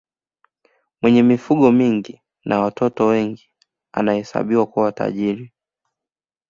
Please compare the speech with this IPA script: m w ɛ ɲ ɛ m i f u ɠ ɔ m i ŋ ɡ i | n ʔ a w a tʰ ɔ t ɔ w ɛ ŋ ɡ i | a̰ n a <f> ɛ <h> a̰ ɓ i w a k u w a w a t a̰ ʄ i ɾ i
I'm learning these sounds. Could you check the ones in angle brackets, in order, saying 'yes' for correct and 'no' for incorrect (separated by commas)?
no, no